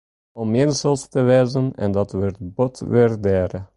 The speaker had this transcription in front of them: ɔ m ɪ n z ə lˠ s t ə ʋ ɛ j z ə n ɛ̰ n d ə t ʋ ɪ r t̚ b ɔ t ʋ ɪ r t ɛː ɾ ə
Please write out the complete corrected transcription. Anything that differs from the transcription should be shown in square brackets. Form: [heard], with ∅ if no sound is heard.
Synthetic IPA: ɔ m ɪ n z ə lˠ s t ə ʋ ɛ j z ə n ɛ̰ n d [ɑ] t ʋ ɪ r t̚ b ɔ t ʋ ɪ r [d] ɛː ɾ ə

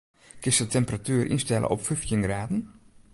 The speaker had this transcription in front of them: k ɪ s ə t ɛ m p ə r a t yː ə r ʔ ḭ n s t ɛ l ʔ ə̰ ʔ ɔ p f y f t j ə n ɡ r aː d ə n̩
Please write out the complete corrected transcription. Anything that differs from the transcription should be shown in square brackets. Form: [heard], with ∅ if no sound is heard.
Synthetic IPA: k ɪ s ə t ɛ m p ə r a t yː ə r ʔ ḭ n s t ɛ l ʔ ə̰ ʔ ɔ p f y f t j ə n ɡ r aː d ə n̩

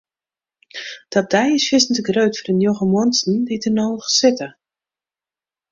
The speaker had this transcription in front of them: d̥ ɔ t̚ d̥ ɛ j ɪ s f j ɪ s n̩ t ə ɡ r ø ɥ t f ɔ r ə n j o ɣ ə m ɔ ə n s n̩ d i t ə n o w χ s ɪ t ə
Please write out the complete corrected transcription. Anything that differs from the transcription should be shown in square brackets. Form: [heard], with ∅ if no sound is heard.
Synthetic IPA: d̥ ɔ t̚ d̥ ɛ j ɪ s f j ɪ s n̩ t ə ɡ r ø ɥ t f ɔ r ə n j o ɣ ə m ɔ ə n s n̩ d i t ə n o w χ s ɪ t ə

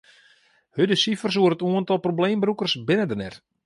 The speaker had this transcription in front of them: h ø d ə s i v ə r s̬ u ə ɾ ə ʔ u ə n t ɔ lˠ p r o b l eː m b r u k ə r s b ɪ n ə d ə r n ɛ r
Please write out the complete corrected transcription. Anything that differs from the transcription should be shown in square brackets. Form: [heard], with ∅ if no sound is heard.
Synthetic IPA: h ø d ə s i [f] ə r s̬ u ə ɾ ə [t] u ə n t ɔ lˠ p r o b l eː m b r u k ə r s b ɪ n ə d ə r n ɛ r

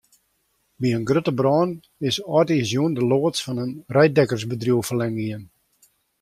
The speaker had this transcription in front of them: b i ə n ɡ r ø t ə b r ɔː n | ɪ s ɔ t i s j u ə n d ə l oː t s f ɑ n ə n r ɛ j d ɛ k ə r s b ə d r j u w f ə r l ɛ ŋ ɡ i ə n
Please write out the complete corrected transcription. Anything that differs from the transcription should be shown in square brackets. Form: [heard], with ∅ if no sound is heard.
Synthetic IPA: b i ə n ɡ r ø t ə b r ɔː n | ɪ s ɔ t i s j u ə n d ə l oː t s f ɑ n ə n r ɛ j d ɛ k ə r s b ə d r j u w f ə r l ɛ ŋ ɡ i ə n

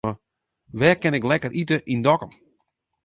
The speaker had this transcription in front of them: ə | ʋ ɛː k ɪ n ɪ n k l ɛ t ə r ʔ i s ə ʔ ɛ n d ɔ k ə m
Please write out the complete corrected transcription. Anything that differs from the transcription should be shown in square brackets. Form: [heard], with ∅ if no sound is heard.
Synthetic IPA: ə | ʋ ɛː k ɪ n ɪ [∅] k l ɛ [k] ə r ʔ i [t] ə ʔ [i] n d ɔ k ə m

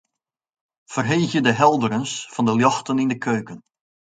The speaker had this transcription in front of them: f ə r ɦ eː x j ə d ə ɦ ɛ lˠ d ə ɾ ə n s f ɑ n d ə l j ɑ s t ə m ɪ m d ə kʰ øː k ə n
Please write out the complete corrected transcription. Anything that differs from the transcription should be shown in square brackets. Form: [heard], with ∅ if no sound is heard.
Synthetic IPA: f ə r ɦ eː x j ə d ə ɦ ɛ lˠ d ə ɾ ə n s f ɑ n d ə l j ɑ [x] t ə [n] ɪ [n] d ə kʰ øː k ə n

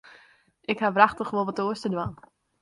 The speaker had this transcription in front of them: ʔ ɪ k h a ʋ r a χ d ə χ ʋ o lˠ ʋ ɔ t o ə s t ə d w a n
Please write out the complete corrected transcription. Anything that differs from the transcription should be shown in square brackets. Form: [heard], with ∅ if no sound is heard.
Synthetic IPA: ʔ ɪ k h a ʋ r a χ [t] ə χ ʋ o lˠ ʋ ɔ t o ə s t ə d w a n

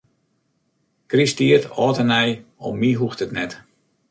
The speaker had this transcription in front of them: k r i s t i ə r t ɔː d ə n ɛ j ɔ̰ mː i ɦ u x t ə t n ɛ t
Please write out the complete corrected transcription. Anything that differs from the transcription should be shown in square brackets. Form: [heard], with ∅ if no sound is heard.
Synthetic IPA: k r i s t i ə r t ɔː [t] ə n ɛ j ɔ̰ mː i ɦ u x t ə t n ɛ t

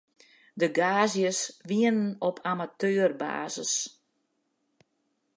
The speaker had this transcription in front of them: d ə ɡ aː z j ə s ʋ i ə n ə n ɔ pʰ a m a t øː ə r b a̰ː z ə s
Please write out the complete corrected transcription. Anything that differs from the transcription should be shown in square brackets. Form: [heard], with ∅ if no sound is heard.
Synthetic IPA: d ə ɡ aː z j ə s ʋ i ə n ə n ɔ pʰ a m a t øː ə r b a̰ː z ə s

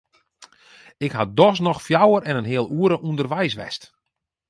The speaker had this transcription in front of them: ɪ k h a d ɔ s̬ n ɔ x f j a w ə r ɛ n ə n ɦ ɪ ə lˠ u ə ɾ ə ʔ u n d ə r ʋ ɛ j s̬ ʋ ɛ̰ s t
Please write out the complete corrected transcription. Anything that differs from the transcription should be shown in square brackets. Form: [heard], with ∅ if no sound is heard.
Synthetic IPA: ɪ k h a d ɔ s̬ n ɔ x f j a w ə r ɛ n ə n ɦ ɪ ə lˠ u ə ɾ ə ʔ u n d ə r ʋ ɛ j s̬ ʋ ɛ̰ s t

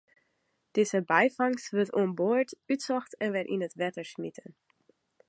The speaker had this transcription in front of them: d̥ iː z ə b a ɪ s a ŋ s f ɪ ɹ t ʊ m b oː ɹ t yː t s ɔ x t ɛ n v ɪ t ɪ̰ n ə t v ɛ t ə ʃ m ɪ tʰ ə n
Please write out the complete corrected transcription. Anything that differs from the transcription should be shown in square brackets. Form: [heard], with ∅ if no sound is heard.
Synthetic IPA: d̥ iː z ə b a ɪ [f] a ŋ s [v] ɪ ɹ t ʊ m b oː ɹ t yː t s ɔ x t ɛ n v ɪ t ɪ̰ n ə t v ɛ t ə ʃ m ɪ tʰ ə n

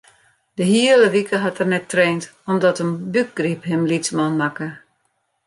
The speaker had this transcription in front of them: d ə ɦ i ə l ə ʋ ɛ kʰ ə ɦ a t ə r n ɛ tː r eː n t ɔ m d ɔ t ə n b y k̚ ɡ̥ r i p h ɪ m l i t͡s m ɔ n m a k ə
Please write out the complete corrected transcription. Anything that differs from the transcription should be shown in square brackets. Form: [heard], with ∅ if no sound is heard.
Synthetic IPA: d ə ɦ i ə l ə ʋ [i] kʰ ə ɦ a t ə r n ɛ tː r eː n t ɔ m d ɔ t ə n b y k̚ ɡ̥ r i p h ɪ m l i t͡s m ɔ n m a k ə

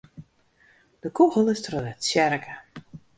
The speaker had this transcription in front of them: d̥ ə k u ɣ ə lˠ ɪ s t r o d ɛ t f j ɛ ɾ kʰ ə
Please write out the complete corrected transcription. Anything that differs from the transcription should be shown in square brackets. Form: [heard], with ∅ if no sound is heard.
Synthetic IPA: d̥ ə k u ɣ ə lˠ ɪ s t r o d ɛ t [s] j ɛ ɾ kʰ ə

